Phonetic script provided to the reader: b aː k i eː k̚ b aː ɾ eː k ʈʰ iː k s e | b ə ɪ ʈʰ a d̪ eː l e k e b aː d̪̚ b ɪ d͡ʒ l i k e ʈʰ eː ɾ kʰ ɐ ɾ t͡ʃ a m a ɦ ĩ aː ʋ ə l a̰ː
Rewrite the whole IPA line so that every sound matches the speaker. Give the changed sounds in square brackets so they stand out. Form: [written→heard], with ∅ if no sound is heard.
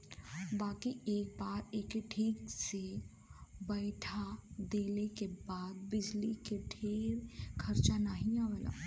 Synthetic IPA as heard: b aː k i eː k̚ b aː ɾ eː k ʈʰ iː k s e | b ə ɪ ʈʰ a d̪ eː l e k e b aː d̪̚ b ɪ d͡ʒ l i k e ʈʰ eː ɾ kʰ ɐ ɾ t͡ʃ a [m→n] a ɦ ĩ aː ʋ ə l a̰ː